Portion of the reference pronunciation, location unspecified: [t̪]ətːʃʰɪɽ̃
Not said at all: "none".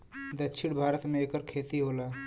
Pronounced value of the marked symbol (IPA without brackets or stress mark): d̪